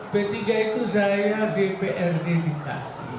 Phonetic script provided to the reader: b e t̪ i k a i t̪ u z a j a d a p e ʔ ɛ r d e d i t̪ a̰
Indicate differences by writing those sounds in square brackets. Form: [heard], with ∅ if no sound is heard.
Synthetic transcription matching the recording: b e t̪ i [ɡ] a i t̪ u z a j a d [e] p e ʔ ɛ r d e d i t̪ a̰